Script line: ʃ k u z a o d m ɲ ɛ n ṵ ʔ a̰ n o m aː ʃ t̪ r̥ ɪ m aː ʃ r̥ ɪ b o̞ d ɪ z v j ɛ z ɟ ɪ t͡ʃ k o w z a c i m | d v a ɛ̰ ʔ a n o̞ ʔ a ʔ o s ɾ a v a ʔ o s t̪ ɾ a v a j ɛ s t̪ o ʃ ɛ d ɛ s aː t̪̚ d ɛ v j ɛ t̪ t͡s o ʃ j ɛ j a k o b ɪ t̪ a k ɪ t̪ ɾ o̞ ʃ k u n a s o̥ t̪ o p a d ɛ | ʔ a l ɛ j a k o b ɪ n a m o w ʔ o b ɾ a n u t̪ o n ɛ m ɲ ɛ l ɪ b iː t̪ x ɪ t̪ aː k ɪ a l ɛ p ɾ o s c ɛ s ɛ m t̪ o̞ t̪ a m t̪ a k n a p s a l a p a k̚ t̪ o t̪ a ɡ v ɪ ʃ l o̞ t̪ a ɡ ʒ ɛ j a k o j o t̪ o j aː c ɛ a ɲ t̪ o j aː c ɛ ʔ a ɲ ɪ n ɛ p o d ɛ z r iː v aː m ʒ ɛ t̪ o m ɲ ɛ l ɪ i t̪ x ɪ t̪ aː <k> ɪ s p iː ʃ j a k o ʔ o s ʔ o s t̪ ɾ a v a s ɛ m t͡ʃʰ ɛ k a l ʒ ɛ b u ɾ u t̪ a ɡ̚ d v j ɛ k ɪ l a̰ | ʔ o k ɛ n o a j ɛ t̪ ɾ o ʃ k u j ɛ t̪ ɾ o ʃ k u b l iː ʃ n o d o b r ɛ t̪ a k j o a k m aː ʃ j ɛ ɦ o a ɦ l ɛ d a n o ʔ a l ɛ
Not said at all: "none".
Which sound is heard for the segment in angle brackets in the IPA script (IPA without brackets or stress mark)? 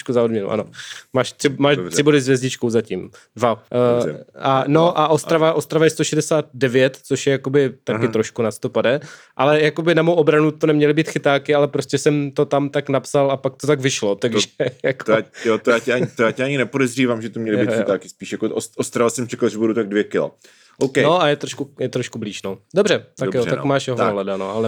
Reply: k